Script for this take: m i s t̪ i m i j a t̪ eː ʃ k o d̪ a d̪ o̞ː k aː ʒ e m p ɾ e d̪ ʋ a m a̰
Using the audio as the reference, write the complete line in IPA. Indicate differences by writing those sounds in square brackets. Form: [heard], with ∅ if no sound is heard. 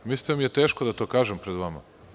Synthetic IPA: m i s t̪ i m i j [e] t̪ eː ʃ k o d̪ a [t̪] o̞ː k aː ʒ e m p ɾ e d̪ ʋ a m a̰